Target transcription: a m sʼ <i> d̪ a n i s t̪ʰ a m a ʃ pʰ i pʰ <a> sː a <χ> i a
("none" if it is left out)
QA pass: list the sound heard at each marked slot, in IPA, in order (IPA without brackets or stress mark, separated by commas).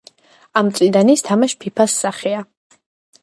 i, a, χ